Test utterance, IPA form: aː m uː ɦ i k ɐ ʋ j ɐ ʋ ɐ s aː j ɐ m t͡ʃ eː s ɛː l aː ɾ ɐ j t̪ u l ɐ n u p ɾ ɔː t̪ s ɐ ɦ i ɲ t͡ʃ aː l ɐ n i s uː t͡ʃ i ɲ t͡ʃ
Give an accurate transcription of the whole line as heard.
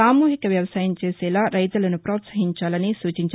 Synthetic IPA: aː m uː ɦ i k ɐ ʋ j ɐ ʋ ɐ s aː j ɐ m t͡ʃ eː s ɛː l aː ɾ ɐ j t̪ u l ɐ n u p ɾ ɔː t̪ s ɐ ɦ i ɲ t͡ʃ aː l ɐ n i s uː t͡ʃ i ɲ t͡ʃ